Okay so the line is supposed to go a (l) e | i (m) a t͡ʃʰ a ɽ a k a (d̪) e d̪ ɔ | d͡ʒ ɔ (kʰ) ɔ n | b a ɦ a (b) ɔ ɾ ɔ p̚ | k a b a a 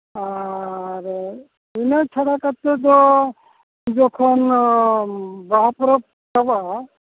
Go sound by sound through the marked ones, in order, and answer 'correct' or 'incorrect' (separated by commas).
incorrect, incorrect, incorrect, correct, incorrect